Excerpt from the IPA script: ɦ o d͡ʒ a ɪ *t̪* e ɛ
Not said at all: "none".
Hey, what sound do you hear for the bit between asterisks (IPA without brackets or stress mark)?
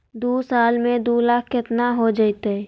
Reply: t̪